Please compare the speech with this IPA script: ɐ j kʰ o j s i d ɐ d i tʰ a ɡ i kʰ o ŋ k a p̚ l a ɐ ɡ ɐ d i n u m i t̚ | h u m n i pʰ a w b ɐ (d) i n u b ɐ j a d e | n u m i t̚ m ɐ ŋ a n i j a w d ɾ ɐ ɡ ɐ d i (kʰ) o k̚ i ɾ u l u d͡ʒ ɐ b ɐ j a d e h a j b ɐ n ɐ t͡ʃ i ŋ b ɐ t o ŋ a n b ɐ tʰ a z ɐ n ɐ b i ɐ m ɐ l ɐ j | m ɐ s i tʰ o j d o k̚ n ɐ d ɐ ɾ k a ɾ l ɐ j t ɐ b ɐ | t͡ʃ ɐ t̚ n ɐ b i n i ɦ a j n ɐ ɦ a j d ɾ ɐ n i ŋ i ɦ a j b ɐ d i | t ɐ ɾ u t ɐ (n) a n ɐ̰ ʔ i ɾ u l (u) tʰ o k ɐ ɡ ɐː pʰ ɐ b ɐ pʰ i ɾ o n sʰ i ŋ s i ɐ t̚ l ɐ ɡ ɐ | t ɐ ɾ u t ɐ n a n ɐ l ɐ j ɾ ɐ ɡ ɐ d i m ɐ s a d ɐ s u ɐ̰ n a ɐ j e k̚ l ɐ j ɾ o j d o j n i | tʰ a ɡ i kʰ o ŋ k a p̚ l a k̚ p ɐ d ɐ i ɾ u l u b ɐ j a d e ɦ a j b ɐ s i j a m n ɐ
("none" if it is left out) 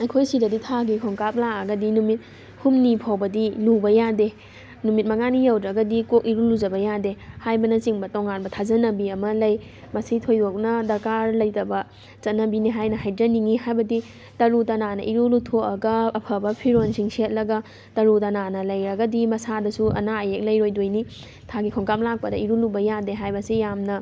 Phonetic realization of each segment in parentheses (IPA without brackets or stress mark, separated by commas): d, k, n, u